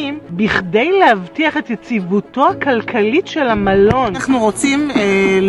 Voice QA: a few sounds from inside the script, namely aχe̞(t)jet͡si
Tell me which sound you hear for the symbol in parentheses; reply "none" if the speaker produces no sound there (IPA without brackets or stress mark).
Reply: t